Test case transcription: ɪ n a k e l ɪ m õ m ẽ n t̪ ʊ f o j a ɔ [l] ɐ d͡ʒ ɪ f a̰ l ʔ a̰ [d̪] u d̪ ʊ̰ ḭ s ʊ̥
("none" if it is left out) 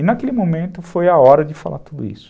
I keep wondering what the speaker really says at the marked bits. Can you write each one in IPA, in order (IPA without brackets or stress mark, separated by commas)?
ɾ, t̪